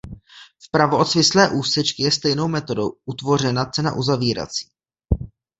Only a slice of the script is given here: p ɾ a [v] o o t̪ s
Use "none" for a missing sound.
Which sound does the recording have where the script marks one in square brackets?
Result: v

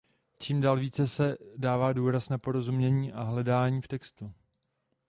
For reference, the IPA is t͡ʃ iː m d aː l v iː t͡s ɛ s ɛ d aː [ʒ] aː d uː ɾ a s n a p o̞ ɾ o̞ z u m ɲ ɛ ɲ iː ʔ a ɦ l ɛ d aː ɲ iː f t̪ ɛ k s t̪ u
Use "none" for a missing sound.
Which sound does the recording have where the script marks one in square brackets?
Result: v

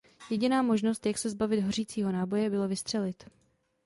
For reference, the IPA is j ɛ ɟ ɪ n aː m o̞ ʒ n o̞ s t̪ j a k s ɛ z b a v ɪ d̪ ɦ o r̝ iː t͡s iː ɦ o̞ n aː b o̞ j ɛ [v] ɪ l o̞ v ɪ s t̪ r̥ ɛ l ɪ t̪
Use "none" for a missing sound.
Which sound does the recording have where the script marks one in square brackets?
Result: b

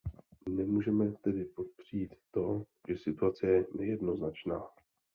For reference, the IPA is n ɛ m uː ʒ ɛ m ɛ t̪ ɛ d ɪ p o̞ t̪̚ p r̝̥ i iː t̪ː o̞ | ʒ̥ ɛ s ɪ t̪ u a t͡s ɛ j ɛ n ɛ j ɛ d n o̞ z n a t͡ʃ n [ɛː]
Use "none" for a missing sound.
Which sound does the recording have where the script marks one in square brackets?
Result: aː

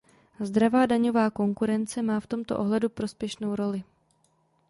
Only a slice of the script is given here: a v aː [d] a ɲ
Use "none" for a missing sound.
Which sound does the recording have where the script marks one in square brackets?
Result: d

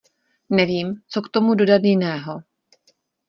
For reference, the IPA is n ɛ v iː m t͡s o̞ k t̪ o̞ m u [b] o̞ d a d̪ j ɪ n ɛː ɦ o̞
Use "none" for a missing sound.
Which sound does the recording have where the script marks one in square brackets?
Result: d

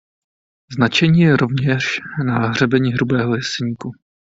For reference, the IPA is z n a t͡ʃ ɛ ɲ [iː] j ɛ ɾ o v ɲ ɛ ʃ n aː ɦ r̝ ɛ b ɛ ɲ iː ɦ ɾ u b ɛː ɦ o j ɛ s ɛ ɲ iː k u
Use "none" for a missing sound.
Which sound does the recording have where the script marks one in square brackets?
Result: iː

